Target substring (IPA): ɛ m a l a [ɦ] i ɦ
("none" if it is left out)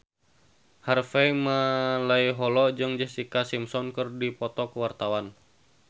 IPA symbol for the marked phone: none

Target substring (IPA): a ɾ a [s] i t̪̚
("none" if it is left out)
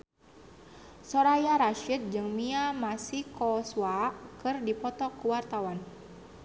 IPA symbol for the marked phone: ʃ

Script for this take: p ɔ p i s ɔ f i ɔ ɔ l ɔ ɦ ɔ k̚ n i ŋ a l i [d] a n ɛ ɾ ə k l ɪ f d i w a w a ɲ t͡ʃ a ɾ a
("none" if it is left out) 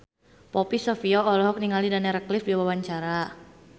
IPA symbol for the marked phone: d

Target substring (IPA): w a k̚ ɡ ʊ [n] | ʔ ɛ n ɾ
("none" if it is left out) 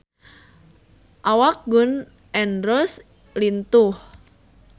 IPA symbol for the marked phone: n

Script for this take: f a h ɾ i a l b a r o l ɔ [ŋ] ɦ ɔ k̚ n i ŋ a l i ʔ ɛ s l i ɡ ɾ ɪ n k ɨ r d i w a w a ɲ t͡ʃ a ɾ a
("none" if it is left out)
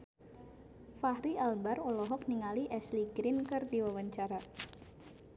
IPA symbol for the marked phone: none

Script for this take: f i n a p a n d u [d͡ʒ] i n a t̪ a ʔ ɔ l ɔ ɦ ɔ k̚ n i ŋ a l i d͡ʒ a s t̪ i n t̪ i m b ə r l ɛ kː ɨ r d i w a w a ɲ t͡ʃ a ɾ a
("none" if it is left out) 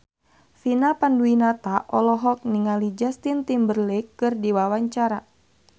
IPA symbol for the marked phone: none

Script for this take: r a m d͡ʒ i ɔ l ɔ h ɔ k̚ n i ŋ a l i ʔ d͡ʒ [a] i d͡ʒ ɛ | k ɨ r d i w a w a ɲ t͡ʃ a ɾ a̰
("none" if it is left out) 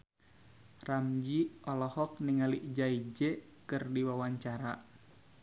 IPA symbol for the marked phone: a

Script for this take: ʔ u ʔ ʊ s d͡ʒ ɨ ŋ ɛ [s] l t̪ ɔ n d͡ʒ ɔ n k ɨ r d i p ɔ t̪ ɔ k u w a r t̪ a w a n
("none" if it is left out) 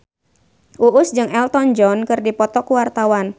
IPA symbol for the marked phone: none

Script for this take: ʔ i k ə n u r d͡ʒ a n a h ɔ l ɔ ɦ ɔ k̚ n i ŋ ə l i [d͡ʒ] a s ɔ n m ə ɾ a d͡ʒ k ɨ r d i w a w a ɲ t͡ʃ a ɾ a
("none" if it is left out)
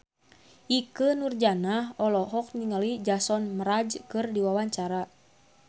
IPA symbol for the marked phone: d͡ʒ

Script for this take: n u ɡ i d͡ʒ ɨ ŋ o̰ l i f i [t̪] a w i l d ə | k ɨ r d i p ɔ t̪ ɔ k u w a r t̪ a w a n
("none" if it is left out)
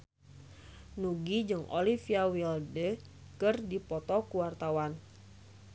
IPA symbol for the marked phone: none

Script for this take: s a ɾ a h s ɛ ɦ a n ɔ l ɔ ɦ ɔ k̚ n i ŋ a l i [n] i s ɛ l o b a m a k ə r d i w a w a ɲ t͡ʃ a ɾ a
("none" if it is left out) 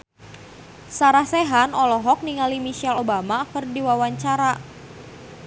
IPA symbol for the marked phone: m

